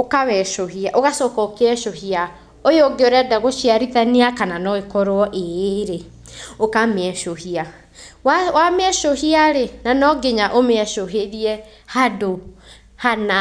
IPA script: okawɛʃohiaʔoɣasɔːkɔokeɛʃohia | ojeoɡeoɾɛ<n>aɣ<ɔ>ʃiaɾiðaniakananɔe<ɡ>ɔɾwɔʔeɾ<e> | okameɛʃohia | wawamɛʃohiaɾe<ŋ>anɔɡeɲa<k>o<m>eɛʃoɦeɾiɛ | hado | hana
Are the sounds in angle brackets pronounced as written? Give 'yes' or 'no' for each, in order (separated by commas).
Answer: no, no, no, yes, no, no, yes